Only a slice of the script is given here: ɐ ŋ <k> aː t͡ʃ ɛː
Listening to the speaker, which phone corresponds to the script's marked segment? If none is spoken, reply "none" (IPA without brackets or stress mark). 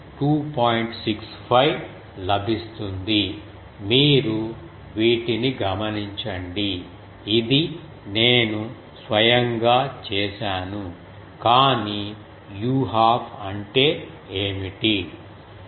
ɡ